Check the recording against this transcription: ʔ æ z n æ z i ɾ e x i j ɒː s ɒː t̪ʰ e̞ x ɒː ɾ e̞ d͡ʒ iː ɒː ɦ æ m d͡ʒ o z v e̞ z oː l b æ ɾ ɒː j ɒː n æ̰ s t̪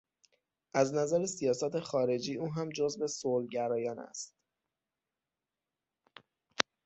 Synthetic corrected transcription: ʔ æ z n æ z æ ɾ e s i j ɒː s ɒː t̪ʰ e̞ x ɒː ɾ e̞ d͡ʒ iː uː ɦ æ m d͡ʒ o z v e̞ s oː l ɟ æ ɾ ɒː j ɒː n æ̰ s t̪